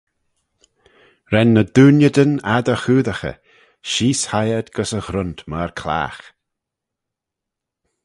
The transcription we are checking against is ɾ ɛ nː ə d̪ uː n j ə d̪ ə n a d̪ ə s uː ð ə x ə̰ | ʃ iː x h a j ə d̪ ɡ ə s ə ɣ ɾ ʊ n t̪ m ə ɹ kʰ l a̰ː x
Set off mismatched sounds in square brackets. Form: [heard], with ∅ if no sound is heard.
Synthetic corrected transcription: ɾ ɛ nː ə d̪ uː n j ə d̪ ə n a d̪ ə [x] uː ð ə x ə̰ | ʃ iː [s] h a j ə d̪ ɡ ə s ə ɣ ɾ ʊ n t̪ m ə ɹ kʰ l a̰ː x